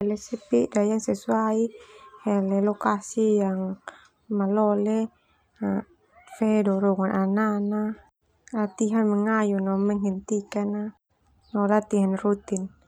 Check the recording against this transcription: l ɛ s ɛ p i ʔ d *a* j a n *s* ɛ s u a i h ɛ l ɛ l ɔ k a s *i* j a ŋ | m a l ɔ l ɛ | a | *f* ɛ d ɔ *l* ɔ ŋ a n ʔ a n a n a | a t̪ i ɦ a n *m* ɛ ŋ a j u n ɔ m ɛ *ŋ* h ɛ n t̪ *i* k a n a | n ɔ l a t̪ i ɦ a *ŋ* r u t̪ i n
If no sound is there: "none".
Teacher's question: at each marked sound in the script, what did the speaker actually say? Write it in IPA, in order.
a, s, i, f, ɾ, m, ŋ, i, n

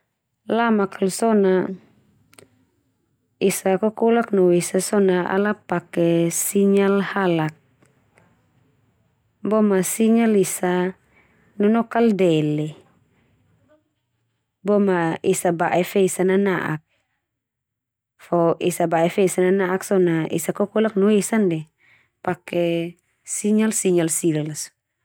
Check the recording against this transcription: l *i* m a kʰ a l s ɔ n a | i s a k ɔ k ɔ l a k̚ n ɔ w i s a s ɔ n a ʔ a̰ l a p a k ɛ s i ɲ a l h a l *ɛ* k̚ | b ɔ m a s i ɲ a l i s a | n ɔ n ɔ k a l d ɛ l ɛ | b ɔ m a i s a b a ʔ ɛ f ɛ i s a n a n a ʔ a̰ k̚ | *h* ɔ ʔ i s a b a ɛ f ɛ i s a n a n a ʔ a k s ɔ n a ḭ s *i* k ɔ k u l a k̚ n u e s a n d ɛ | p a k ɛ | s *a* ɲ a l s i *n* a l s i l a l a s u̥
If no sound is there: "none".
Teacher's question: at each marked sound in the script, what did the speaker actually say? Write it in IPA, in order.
a, a, f, a, i, ɲ

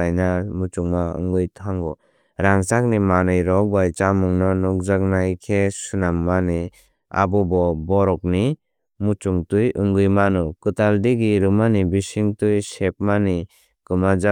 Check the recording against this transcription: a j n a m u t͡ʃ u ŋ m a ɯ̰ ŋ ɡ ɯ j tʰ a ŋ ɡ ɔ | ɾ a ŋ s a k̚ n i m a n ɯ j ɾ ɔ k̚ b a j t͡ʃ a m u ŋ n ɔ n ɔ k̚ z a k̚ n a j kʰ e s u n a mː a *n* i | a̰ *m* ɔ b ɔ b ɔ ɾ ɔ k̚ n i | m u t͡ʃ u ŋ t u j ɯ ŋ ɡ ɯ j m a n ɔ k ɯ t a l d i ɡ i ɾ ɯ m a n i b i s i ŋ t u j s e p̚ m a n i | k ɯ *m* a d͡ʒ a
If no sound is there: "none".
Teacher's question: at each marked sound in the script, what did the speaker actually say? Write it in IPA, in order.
n, b, m

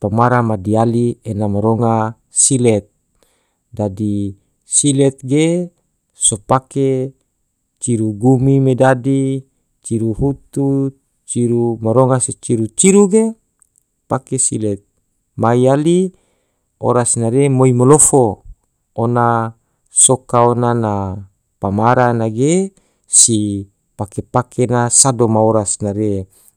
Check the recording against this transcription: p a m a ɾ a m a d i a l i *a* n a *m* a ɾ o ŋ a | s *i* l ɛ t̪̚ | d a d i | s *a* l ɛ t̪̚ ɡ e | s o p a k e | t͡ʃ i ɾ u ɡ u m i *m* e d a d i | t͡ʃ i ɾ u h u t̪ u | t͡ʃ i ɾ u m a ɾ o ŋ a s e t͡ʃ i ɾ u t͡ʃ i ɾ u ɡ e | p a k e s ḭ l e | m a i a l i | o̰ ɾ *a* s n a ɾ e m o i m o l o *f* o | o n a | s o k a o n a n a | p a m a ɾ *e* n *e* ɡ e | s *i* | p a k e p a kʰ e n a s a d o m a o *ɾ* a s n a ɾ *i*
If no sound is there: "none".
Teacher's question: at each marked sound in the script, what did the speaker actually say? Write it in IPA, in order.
e, m, i, i, m, a, f, a, a, i, ɾ, e

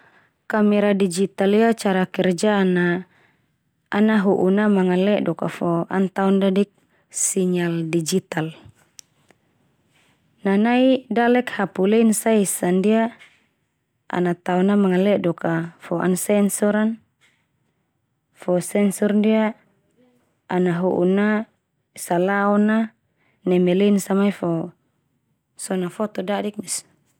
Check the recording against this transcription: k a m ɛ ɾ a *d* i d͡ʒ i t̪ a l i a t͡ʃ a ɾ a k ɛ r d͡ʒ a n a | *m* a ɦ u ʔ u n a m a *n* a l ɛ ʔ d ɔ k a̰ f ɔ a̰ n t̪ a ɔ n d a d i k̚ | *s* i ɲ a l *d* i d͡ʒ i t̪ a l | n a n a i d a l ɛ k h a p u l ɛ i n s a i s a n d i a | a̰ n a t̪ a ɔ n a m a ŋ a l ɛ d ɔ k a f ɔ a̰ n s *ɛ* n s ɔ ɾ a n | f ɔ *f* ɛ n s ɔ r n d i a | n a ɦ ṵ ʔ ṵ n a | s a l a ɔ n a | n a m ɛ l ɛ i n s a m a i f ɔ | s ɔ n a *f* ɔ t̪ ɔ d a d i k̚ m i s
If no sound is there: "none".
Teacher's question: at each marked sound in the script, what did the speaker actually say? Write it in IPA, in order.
d, n, ŋ, s, d, ɛ, s, f

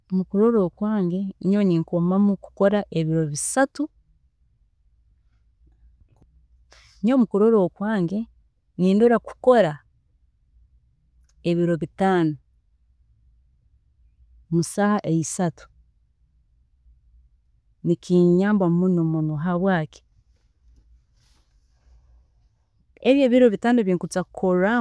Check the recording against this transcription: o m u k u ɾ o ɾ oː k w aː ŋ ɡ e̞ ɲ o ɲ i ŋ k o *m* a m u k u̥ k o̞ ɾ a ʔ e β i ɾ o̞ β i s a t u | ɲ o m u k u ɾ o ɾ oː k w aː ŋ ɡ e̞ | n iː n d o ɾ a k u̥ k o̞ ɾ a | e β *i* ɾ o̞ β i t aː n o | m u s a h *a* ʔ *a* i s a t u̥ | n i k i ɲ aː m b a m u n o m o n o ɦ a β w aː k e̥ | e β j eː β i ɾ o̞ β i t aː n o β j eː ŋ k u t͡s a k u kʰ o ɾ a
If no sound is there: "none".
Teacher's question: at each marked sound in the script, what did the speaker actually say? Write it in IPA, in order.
m, i, a, e

